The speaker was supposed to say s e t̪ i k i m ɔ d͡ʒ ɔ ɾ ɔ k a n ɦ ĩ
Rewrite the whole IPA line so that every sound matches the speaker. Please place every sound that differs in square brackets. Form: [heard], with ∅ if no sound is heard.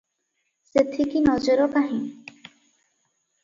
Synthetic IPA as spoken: s e [t̪ʰ] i k i [n] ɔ d͡ʒ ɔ ɾ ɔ k a [∅] ɦ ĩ